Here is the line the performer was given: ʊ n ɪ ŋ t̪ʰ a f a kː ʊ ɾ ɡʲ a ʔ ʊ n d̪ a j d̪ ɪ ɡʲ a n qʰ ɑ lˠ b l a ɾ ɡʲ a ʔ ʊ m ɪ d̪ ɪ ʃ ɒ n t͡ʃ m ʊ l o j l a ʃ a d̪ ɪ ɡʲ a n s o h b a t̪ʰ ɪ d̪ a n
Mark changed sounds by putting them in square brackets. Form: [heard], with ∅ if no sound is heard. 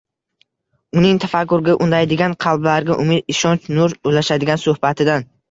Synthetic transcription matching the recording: ʊ n ɪ ŋ t̪ʰ a f a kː ʊ ɾ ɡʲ a ʔ ʊ n d̪ a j d̪ ɪ ɡʲ a n qʰ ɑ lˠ b l a ɾ ɡʲ a ʔ ʊ m ɪ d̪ ɪ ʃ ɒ n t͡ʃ [n] ʊ [ɾ] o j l a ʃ a d̪ ɪ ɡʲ a n s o h b a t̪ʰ ɪ d̪ a n